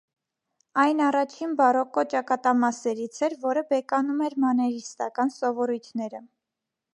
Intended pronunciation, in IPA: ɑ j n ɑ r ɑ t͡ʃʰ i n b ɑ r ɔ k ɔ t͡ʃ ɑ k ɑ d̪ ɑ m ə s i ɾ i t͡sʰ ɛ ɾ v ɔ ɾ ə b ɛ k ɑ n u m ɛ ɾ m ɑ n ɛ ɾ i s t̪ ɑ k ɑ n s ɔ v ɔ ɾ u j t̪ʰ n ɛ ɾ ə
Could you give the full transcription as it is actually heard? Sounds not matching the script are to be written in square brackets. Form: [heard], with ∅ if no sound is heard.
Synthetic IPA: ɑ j n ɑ r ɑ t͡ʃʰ i n b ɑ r ɔ k ɔ t͡ʃ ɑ k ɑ [t̪] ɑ m [ɑ] s [ɛ] ɾ i t͡sʰ ɛ ɾ v ɔ ɾ ə b ɛ k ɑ n u m ɛ ɾ m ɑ n ɛ ɾ i s t̪ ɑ k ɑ n s ɔ v ɔ ɾ u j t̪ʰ n ɛ ɾ ə

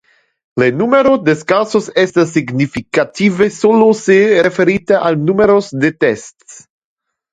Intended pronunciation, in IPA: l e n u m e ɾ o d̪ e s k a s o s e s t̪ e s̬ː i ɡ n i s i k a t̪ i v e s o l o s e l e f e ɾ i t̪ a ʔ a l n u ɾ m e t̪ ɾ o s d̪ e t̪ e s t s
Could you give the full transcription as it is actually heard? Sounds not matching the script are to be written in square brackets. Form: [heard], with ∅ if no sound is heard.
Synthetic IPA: l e n u m e ɾ o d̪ e s k a s o s e s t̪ [a] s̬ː i ɡ n i [f] i k a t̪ i v e s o l o s e [ɾ] e f e ɾ i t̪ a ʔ a l n u [∅] m e [∅] ɾ o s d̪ e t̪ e s t s

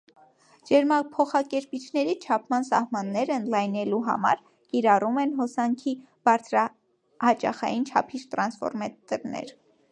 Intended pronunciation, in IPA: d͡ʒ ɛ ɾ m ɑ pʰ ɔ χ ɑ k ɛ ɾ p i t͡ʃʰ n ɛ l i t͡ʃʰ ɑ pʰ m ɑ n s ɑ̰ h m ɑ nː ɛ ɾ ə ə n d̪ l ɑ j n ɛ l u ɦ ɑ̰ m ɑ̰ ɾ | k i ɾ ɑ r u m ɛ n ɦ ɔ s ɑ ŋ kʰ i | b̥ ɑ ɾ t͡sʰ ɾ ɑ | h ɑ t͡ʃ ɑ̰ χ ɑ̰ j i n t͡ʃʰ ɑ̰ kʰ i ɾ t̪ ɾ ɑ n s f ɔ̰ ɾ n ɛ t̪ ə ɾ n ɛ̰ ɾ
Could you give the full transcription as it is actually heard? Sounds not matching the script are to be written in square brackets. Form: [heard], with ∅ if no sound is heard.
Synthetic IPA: d͡ʒ ɛ ɾ m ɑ pʰ ɔ χ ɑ k ɛ ɾ p i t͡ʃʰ n ɛ [ɾ] i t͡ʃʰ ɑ pʰ m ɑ n s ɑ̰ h m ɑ nː ɛ ɾ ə ə n d̪ l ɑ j n ɛ l u ɦ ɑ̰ m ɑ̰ ɾ | k i ɾ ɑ r u m ɛ n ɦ ɔ s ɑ ŋ kʰ i | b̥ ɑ ɾ t͡sʰ ɾ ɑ | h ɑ t͡ʃ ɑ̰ χ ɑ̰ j i n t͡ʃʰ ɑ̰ [pʰ] i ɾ t̪ ɾ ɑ n s f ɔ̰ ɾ [m] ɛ t̪ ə ɾ n ɛ̰ ɾ

